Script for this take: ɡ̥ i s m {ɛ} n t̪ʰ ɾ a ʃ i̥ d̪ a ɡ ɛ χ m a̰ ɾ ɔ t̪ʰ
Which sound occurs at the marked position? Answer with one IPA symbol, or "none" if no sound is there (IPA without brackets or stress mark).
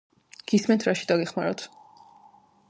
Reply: ɛ